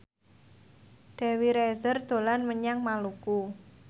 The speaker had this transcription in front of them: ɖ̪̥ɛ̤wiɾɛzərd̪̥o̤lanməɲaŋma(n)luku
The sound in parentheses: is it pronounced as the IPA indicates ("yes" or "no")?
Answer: no